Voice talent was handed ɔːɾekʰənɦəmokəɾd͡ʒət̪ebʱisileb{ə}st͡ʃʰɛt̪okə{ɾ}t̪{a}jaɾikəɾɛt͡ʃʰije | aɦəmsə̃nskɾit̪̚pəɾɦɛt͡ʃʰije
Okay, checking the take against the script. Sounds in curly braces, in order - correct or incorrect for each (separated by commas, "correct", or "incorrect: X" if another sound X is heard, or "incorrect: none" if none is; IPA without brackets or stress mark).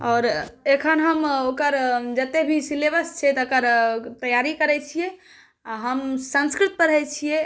correct, correct, incorrect: ə